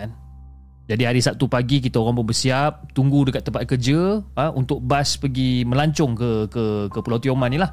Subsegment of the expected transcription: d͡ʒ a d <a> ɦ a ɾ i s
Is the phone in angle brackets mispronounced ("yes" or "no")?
yes